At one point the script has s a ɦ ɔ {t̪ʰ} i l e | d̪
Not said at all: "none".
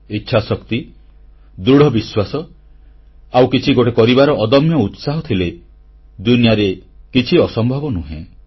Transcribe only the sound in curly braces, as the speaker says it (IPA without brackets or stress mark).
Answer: t̪ʰ